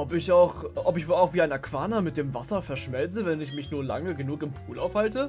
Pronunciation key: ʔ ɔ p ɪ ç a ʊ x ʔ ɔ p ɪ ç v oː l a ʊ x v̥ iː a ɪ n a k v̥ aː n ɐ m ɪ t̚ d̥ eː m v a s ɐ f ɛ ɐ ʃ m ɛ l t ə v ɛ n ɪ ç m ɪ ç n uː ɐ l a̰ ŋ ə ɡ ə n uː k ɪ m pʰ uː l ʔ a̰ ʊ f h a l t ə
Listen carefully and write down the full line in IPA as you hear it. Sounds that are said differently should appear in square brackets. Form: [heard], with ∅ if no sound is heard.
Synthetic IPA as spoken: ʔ ɔ p ɪ ç a ʊ x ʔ ɔ p ɪ ç v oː l a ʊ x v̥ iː a ɪ n a k v̥ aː n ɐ m ɪ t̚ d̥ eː m v a s ɐ f ɛ ɐ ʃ m ɛ l [t͡s] ə v ɛ n ɪ ç m ɪ ç n uː ɐ l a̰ ŋ ə ɡ ə n uː k ɪ m pʰ uː l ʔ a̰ ʊ f h a l t ə